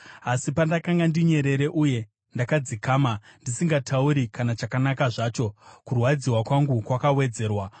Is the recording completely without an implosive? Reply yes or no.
yes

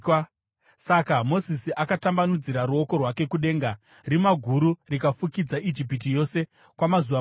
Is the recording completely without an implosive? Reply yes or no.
no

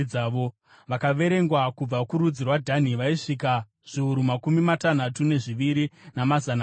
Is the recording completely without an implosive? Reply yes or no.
yes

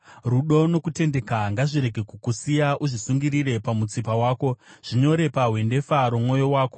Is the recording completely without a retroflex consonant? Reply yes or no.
no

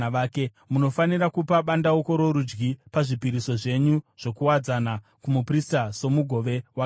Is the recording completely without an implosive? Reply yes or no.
no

